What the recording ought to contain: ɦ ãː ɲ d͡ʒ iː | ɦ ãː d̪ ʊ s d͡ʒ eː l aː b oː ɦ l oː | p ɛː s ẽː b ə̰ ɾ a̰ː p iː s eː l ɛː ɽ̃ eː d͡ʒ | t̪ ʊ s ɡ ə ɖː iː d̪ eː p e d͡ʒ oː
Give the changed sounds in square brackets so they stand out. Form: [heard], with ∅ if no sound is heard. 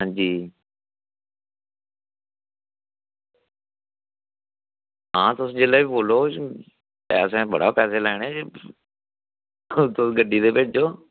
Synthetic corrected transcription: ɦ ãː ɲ d͡ʒ iː | ɦ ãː [t̪] ʊ s d͡ʒ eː l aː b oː [∅] l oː | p ɛː s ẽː b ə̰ [ɽ] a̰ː p [ɛː] s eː l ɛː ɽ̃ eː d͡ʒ | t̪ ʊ s ɡ ə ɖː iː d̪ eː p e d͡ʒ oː